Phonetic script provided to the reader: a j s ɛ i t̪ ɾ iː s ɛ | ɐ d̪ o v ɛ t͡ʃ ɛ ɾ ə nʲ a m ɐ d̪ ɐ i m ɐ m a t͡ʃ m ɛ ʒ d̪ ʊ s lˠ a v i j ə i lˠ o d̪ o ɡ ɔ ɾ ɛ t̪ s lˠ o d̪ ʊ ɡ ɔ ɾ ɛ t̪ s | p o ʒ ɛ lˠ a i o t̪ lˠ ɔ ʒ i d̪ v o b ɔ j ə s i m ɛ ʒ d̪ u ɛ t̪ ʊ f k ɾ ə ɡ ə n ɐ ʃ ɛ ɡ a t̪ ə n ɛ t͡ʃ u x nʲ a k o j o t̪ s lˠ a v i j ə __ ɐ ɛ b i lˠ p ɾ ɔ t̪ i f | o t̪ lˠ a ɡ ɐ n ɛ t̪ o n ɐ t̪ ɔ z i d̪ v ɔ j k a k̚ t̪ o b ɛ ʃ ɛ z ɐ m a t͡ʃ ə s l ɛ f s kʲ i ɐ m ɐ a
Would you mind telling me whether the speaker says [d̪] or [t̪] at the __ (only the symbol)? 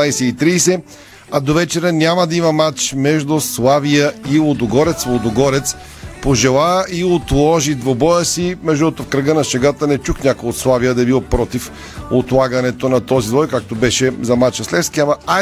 d̪